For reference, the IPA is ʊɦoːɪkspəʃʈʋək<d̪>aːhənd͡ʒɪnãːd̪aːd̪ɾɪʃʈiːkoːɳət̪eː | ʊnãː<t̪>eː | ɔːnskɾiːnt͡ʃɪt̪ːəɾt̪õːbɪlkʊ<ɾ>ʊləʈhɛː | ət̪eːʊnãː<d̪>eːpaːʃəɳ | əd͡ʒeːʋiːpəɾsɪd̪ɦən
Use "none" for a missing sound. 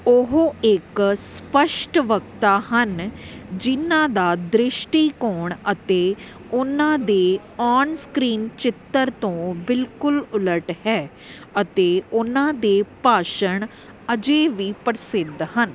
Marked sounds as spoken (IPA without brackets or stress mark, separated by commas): t̪, d̪, l, d̪